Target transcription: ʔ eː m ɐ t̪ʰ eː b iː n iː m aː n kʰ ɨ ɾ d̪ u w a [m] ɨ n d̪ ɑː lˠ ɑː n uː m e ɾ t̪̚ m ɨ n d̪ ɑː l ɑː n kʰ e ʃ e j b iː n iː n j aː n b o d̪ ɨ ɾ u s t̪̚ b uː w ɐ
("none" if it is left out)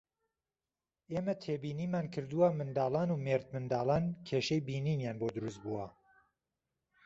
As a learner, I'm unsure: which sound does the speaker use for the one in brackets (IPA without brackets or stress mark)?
m